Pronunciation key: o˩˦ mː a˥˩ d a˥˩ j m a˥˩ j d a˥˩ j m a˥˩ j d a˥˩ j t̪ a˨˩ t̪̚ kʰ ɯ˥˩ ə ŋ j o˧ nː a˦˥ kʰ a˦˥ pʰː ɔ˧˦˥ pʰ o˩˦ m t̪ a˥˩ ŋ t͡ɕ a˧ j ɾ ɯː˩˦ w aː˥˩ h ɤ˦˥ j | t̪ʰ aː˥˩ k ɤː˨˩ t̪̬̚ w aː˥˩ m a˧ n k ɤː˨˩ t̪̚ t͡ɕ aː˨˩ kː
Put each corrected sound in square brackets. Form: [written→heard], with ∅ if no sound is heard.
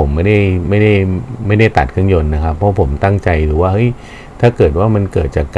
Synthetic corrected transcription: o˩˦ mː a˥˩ d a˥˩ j m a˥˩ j d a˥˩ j m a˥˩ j d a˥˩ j t̪ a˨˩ t̪̚ kʰ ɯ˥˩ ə ŋ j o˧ nː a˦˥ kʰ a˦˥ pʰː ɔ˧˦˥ pʰ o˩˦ m t̪ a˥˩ ŋ t͡ɕ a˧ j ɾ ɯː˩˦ w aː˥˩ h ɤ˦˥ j | t̪ʰ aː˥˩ k ɤː˨˩ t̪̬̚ w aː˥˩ m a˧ n k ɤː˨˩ t̪̚ t͡ɕ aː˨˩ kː